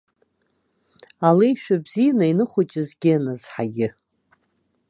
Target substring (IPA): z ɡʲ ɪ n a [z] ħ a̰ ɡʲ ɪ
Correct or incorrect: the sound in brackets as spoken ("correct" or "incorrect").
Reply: correct